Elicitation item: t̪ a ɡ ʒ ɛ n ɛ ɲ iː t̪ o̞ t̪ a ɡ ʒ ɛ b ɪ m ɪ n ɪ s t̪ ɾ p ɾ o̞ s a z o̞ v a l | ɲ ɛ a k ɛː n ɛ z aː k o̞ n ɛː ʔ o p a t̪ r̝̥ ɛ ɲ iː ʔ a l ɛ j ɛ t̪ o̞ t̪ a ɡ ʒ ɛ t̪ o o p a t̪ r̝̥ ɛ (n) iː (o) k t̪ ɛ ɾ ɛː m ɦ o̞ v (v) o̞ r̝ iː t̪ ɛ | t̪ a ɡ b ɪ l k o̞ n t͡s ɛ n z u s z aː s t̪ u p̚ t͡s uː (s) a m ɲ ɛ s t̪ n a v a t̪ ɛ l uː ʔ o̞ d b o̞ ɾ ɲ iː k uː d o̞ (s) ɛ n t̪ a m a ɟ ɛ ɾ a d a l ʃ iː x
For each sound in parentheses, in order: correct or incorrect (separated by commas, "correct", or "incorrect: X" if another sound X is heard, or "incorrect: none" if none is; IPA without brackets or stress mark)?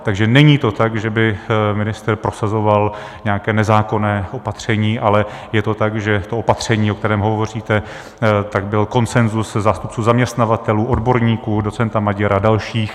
incorrect: ɲ, correct, correct, incorrect: z, incorrect: t͡s